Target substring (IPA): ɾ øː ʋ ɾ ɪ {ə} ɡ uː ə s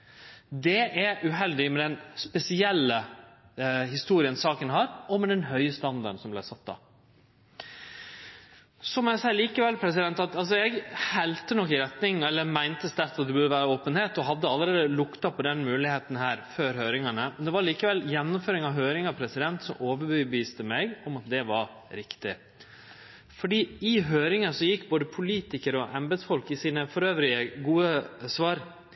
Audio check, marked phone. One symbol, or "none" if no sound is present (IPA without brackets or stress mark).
ə